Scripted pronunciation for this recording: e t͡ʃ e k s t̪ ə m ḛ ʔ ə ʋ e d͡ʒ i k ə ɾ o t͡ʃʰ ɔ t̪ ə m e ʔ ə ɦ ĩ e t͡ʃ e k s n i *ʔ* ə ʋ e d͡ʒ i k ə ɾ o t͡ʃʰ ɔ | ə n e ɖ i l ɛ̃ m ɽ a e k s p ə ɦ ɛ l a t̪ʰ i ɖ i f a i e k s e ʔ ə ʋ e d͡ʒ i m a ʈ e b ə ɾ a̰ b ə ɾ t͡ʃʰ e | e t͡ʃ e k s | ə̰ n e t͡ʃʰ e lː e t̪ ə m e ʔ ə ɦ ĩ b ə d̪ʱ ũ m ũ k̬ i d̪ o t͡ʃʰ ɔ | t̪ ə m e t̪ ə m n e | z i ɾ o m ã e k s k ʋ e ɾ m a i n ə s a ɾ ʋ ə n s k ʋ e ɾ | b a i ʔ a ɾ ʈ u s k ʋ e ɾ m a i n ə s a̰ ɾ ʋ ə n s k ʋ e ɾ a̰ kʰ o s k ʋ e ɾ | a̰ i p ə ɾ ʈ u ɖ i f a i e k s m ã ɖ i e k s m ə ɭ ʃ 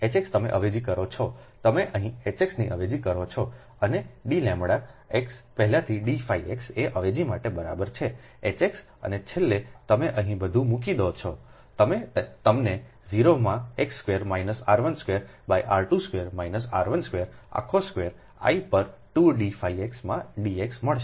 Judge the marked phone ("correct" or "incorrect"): correct